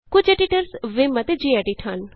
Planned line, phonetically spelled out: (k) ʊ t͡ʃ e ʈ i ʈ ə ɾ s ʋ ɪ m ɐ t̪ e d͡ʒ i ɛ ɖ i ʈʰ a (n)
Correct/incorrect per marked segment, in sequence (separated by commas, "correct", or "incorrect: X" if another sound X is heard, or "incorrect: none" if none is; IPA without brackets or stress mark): correct, correct